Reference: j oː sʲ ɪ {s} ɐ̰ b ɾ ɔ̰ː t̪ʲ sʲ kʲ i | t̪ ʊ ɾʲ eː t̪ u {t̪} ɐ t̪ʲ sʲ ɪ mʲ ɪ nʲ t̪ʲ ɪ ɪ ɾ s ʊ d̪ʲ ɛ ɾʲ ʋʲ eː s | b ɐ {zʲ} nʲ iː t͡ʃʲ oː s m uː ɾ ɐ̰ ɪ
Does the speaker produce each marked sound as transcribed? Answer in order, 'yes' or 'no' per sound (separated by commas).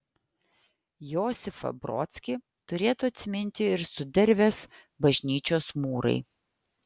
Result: no, no, no